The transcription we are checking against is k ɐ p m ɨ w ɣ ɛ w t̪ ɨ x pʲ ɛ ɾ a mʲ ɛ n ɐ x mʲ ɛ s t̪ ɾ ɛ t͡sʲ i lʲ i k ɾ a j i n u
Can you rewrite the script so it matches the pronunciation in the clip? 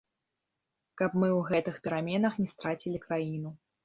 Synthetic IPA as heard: k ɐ p m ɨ w ɣ ɛ t̪ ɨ x pʲ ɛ ɾ a mʲ ɛ n ɐ x nʲ ɛ s t̪ ɾ a t͡sʲ i lʲ i k ɾ a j i n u

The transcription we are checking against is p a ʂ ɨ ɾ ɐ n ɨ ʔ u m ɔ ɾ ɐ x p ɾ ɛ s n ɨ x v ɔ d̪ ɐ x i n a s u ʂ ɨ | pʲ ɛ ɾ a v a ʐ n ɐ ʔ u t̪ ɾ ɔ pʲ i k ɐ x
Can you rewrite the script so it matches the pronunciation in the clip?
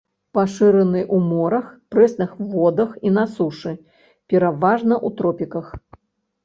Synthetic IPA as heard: p a ʂ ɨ ɾ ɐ n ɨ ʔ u m ɔ ɾ ɐ x p ɾ ɛ s n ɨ x v ɔ d̪ ɐ x i n a s u ʂ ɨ | pʲ ɛ ɾ a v a ʐ n ɐ ʔ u t̪ ɾ ɔ pʲ i k ɐ x

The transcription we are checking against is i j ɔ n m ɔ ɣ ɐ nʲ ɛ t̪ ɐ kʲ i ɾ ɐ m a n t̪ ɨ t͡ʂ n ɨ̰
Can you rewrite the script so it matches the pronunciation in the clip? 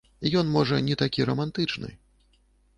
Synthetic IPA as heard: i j ɔ n m ɔ ʐ ɐ nʲ ɛ t̪ a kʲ i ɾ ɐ m a n t̪ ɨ t͡ʂ n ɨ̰

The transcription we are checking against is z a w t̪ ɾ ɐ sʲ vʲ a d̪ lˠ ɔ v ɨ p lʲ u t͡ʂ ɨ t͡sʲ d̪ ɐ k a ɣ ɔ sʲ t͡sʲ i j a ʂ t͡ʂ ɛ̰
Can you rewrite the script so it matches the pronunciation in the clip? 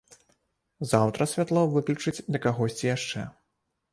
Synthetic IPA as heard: z a w t̪ ɾ ɐ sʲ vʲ a t̪ lˠ ɔ v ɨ k lʲ u t͡ʂ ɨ t͡sʲ d̪ ɐ k a ɣ ɔ sʲ t͡sʲ i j a ʂ t͡ʂ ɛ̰

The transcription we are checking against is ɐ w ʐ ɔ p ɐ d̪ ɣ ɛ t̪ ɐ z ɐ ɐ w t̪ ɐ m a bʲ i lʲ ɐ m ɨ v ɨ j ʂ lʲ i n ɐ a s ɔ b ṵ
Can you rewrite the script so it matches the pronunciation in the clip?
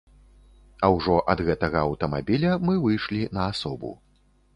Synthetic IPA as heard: ɐ w ʐ ɔ ʔ ɐ d̪ ɣ ɛ t̪ ɐ ɣ ɐ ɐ w t̪ ɐ m a bʲ i lʲ ɐ m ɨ v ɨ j ʂ lʲ i n ɐ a s ɔ b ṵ

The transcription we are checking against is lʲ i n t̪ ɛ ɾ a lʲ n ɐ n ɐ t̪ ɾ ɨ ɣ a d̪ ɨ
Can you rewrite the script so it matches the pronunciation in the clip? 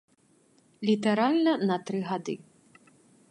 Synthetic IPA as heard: lʲ i t̪ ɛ ɾ a lʲ n ɐ n ɐ t̪ ɾ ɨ ɣ a d̪ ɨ

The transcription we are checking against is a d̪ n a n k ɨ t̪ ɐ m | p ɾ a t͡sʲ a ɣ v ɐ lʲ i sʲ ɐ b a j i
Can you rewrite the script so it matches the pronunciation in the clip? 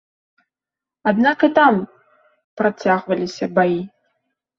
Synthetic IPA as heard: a d̪ n a k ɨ t̪ a m | p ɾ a t͡sʲ a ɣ v ɐ lʲ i sʲ ɐ b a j i

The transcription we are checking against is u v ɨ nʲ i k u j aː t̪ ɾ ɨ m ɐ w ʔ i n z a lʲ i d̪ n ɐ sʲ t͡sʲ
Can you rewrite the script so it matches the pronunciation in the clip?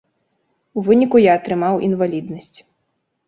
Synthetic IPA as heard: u v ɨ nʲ i k u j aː t̪ ɾ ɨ m a w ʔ i n v a lʲ i d̪ n ɐ sʲ t͡sʲ

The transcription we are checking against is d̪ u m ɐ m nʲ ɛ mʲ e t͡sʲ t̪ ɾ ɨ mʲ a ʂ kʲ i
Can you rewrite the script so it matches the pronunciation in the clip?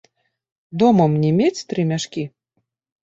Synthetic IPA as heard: d̪ ɔ m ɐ m nʲ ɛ mʲ e t͡sʲ t̪ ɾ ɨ mʲ a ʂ kʲ i

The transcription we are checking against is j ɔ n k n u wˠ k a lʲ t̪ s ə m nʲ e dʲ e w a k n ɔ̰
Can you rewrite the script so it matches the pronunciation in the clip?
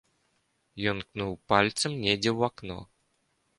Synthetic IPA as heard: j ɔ n k n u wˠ p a lʲ t̪ s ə m nʲ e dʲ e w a k n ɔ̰

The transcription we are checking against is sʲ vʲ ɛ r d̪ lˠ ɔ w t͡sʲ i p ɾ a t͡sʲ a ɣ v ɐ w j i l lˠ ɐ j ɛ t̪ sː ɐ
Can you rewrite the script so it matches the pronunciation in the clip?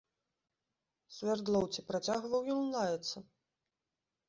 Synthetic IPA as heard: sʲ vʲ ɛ r d̪ lˠ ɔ w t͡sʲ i p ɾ a t͡sʲ a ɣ v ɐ w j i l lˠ a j ɛ t̪ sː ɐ

